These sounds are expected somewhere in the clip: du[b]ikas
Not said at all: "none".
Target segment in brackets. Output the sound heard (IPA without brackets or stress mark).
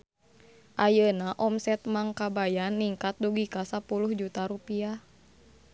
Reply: ɡ